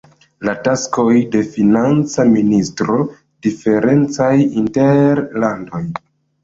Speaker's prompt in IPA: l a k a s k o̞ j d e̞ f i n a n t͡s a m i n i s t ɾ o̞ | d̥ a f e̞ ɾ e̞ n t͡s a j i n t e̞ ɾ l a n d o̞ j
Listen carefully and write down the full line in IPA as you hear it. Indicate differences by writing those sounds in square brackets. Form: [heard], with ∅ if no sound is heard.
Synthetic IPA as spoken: l a [t] a s k o̞ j d e̞ f i n a n t͡s a m i n i s t ɾ o̞ | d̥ [i] f e̞ ɾ e̞ n t͡s a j i n t e̞ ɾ l a n d o̞ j